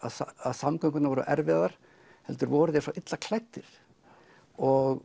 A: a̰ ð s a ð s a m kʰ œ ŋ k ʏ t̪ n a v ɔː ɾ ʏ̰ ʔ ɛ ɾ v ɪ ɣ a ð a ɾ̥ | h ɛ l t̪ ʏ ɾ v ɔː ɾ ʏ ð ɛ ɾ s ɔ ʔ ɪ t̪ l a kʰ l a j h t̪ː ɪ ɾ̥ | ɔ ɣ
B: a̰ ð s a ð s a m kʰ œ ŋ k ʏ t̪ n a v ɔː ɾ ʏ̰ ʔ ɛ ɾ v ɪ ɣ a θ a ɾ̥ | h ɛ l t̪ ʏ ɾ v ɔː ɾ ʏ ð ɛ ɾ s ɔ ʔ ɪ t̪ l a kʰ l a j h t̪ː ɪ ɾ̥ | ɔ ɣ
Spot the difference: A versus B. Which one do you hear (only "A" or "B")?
A